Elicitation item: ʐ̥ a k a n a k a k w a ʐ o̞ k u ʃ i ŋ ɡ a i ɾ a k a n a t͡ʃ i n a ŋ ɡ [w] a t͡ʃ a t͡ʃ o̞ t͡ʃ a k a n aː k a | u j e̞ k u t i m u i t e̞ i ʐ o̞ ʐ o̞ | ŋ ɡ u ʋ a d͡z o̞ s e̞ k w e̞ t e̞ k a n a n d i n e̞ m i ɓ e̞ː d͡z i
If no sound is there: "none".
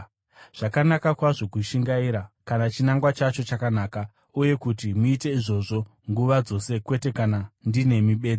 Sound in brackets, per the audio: w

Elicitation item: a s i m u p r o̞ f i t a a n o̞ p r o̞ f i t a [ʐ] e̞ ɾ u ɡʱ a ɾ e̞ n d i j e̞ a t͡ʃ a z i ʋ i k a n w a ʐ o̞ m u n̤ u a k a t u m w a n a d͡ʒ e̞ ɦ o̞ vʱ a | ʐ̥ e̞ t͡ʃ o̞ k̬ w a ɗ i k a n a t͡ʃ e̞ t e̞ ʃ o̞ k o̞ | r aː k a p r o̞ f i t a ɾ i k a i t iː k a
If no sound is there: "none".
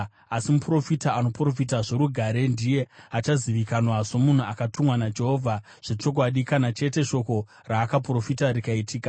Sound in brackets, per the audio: ʐ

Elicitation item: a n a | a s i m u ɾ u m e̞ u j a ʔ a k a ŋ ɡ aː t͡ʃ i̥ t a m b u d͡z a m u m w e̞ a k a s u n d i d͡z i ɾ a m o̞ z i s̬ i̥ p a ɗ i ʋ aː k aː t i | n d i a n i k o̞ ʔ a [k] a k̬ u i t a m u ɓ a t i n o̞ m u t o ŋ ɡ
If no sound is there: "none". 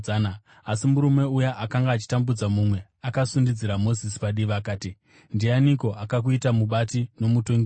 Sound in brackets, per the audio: k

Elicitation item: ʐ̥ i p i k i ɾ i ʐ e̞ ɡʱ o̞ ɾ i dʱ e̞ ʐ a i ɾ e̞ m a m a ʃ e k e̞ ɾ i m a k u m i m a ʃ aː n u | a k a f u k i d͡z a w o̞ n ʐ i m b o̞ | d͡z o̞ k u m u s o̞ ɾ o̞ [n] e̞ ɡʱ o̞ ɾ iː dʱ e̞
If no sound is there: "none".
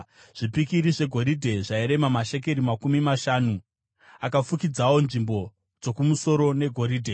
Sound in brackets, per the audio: n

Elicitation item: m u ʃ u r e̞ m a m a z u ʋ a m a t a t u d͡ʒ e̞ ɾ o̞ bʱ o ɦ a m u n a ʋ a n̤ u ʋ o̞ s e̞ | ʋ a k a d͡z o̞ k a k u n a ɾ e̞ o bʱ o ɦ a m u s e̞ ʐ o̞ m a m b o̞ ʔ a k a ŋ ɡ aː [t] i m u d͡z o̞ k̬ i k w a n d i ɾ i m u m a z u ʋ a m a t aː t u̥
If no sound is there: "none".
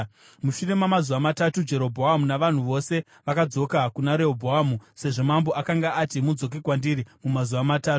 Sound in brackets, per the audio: t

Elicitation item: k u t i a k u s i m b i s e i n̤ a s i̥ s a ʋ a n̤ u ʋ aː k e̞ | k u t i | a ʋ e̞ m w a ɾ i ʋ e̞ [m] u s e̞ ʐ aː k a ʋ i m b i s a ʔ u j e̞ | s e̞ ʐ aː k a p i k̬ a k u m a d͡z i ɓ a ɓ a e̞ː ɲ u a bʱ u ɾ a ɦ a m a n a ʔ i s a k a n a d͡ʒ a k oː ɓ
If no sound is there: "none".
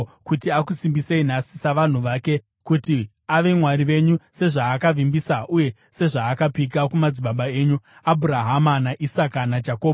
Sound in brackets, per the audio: ɲ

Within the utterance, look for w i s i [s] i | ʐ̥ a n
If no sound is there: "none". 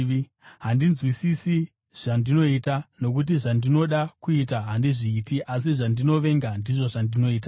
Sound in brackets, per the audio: s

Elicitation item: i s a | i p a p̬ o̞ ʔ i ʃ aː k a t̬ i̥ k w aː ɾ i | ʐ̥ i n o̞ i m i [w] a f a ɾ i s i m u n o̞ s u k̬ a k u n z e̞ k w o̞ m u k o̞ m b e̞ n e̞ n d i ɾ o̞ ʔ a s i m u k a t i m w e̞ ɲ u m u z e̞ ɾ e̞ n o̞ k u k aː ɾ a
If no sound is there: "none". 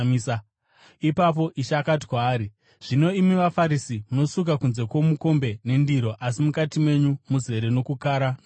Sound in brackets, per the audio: ʋ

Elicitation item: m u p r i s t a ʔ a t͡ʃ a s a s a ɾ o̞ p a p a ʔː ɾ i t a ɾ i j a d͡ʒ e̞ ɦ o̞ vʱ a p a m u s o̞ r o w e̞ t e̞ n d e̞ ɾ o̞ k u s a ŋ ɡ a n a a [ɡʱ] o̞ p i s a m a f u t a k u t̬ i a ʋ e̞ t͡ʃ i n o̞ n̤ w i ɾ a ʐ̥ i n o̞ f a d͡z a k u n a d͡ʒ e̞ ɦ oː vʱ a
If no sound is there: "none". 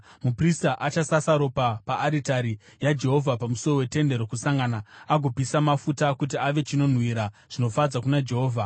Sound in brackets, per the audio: ɡʱ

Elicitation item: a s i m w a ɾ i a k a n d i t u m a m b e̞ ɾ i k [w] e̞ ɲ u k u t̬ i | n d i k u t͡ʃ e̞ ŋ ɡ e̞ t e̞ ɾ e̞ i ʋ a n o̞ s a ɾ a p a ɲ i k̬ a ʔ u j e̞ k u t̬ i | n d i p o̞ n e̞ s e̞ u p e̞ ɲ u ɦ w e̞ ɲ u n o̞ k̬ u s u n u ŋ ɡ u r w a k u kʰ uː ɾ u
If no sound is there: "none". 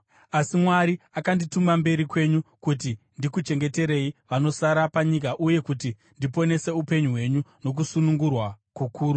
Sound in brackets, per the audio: w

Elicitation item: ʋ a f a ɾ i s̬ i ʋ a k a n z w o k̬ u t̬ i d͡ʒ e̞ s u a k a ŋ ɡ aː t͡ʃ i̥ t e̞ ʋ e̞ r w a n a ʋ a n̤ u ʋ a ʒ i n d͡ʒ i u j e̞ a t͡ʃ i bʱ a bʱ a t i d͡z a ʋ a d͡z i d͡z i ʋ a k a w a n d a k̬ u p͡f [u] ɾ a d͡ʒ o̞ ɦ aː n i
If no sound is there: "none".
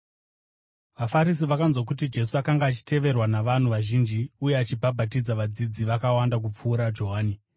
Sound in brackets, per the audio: uː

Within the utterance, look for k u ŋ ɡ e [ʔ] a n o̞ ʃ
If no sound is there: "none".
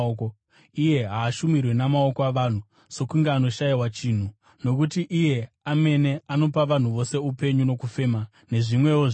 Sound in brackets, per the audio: none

